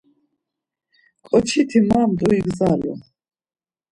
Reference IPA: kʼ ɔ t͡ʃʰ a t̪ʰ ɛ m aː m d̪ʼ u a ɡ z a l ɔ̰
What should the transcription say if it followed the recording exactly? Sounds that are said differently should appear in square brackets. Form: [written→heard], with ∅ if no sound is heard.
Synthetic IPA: kʼ ɔ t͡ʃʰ [a→i] t̪ʰ [ɛ→i] m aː m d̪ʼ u [a→i] ɡ z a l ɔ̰